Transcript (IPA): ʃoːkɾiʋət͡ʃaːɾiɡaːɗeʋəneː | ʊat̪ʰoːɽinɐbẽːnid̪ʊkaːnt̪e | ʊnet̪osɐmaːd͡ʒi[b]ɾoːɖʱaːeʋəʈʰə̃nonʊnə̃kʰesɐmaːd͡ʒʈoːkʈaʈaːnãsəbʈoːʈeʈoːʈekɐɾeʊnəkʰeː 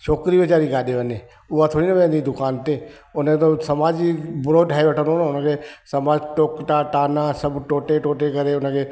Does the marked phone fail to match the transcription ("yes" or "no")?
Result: no